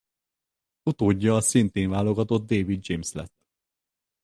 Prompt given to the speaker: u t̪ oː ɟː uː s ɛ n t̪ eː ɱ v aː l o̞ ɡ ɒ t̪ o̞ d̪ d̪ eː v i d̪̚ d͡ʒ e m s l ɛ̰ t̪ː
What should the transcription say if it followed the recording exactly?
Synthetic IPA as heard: u t̪ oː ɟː ɒː s i n t̪ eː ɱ v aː l o̞ ɡ ɒ t̪ o̞ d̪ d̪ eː v i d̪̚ d͡ʒ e m s l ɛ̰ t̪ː